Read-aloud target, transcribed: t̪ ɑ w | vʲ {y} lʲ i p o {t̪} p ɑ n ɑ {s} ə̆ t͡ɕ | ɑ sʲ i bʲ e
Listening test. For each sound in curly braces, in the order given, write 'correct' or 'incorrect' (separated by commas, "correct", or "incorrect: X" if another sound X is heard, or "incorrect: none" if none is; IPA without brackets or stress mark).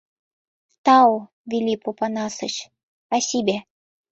incorrect: i, incorrect: none, correct